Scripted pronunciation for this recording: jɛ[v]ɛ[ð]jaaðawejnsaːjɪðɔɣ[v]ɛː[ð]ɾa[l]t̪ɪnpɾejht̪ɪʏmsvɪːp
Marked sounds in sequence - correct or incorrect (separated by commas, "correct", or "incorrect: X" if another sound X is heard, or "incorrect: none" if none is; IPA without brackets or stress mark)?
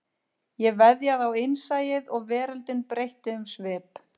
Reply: correct, correct, correct, incorrect: none, correct